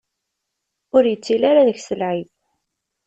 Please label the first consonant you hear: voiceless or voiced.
voiced